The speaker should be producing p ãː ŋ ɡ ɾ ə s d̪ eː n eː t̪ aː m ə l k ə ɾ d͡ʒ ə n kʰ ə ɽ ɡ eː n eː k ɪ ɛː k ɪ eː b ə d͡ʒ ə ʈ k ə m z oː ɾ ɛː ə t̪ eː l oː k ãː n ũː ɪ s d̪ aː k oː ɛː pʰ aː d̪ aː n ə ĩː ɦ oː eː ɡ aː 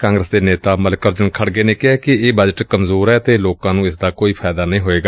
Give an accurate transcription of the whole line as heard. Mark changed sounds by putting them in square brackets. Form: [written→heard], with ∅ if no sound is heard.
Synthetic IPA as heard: [p→k] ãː ŋ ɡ ɾ ə s d̪ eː n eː t̪ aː m ə l k ə ɾ d͡ʒ ə n kʰ ə ɽ ɡ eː n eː k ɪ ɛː k ɪ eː b ə d͡ʒ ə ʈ k ə m z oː ɾ ɛː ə t̪ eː l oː k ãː n ũː ɪ s d̪ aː k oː [ɛː→iː] pʰ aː d̪ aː n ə ĩː ɦ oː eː ɡ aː